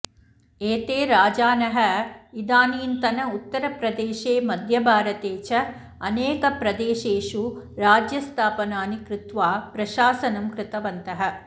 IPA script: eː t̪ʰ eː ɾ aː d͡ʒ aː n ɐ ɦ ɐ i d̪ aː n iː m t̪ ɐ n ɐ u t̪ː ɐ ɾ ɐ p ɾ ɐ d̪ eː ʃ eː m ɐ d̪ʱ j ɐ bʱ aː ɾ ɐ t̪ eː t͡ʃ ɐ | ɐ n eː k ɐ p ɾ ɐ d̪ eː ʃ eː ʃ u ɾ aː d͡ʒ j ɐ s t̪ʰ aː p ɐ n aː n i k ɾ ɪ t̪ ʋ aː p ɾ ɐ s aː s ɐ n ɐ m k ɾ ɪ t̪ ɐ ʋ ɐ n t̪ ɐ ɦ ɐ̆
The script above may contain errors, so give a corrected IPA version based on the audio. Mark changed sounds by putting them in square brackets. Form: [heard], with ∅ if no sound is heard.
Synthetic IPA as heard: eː [t̪] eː ɾ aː d͡ʒ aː n ɐ ɦ ɐ i d̪ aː n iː [n] t̪ ɐ n ɐ u t̪ː ɐ ɾ ɐ p ɾ ɐ d̪ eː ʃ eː m ɐ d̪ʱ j ɐ bʱ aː ɾ ɐ t̪ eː t͡ʃ ɐ | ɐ n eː k ɐ p ɾ ɐ d̪ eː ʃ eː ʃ u ɾ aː d͡ʒ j ɐ s t̪ʰ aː p ɐ n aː n i k ɾ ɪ t̪ ʋ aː p ɾ ɐ [ʃ] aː s ɐ n ɐ m k ɾ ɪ t̪ ɐ ʋ ɐ n t̪ ɐ ɦ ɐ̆

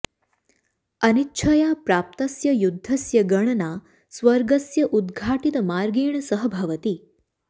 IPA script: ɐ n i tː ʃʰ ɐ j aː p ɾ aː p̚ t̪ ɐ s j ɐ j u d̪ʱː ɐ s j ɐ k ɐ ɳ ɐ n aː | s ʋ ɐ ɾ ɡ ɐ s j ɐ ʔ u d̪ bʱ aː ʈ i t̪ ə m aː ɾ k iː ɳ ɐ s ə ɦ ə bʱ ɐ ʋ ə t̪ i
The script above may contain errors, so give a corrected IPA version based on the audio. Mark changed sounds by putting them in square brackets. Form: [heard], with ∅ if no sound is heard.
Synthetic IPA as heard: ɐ n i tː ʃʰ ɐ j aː p ɾ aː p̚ t̪ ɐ s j ɐ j u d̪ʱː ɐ s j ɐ [ɡ] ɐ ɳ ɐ n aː | s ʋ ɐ ɾ ɡ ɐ s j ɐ ʔ u d̪ [ɡʱ] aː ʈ i t̪ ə m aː ɾ [ɡ] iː ɳ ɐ s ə ɦ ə bʱ ɐ ʋ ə t̪ i

